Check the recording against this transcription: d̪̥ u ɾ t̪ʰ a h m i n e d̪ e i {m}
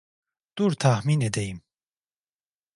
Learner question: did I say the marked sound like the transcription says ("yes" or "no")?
yes